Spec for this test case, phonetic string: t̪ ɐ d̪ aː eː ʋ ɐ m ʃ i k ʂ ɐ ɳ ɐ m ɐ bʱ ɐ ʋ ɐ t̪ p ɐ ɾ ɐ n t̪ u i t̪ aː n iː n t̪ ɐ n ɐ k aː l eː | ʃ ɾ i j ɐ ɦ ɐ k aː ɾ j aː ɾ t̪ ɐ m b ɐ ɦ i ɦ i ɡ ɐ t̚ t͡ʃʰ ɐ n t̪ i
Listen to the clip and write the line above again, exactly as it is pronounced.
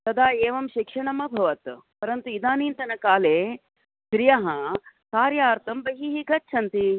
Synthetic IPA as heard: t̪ ɐ d̪ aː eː ʋ ɐ m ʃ i k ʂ ɐ ɳ ɐ m ɐ bʱ ɐ ʋ ɐ t̪ p ɐ ɾ ɐ n t̪ u i d̪ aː n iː n t̪ ɐ n ɐ k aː l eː | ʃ ɾ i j ɐ ɦ ɐ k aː ɾ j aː ɾ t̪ ɐ m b ɐ ɦ i ɦ i ɡ ɐ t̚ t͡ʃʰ ɐ n t̪ i